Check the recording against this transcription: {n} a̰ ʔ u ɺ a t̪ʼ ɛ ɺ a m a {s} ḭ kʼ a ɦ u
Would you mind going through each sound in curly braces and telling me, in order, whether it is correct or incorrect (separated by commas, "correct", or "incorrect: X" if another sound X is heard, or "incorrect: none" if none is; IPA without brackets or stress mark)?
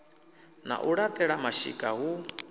correct, incorrect: ʃ